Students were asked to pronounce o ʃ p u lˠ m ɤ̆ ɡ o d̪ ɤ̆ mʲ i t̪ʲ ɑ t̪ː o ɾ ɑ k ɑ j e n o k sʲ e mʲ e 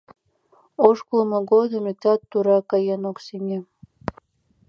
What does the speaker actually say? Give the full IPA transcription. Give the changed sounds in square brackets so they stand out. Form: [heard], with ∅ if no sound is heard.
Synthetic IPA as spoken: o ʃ [k] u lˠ m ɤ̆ ɡ o d̪ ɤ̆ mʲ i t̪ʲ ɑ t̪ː [u] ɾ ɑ k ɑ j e n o k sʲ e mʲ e